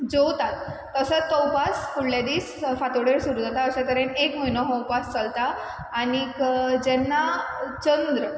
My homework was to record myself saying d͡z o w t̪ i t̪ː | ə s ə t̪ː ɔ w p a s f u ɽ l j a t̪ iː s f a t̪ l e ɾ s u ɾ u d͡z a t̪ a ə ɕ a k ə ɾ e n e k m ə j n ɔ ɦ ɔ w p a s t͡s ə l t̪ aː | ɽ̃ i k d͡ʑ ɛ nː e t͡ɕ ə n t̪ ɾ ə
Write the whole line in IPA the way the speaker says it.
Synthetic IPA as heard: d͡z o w t̪ a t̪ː | ə s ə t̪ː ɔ w p a s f u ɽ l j a d̪ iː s f a t̪ ɽ e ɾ s u ɾ u d͡z a t̪ a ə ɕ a k ə ɾ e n e k m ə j n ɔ ɦ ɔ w p a s t͡s ə l t̪ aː | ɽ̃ i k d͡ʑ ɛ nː a t͡ɕ ə n d̪ ɾ ə

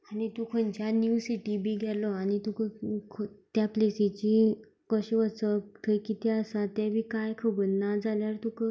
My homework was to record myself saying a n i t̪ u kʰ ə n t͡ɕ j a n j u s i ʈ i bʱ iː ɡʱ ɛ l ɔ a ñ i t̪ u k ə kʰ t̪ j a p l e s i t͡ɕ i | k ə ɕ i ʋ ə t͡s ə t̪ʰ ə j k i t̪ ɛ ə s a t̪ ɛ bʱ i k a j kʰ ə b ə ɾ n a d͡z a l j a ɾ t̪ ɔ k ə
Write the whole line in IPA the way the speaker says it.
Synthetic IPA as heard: a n i t̪ u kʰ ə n t͡ɕ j a n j u s i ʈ i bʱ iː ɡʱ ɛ l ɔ a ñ i t̪ u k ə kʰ t̪ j a p l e s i t͡ɕ i | k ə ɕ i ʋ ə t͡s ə t̪ʰ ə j k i t̪ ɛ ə s a t̪ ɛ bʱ i k a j kʰ ə b ə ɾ n a d͡z a l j a ɾ t̪ u k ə

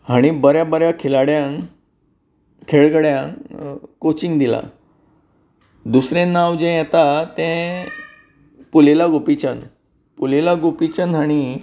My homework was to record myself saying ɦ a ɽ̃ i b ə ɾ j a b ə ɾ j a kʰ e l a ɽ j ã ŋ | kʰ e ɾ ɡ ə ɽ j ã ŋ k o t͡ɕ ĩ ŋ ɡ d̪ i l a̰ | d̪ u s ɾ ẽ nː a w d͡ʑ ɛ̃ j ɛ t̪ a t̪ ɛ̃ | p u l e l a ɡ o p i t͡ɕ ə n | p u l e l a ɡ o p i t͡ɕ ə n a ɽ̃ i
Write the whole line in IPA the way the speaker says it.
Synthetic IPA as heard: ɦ a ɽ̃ i b ə ɾ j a b ə ɾ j a kʰ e l a ɽ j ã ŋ | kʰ e ɭ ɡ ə ɽ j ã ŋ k o t͡ɕ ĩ ŋ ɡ d̪ i l a̰ | d̪ u s ɾ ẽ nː a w d͡ʑ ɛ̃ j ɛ t̪ a t̪ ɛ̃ | p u l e l a ɡ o p i t͡ɕ ə n | p u l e l a ɡ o p i t͡ɕ ə n a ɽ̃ i

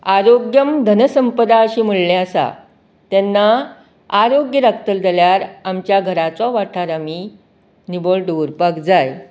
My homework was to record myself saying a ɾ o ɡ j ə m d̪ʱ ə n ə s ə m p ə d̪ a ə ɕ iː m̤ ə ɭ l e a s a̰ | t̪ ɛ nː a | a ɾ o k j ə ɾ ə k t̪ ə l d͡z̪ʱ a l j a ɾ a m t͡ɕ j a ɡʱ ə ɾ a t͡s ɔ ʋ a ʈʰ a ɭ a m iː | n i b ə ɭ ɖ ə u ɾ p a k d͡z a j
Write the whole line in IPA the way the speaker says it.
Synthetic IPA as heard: a ɾ o ɡ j ə m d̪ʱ ə n ə s ə m p ə d̪ a ə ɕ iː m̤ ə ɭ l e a s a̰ | t̪ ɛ nː a | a ɾ o ɡ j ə ɾ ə k t̪ ə l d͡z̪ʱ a l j a ɾ a m t͡ɕ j a ɡʱ ə ɾ a t͡s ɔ ʋ a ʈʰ a ɾ a m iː | n i b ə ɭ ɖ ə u ɾ p a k d͡z a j

